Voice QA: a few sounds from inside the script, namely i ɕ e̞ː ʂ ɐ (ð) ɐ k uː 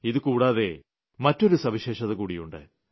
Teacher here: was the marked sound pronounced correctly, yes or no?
yes